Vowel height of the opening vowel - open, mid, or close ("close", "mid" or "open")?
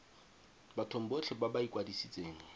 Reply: open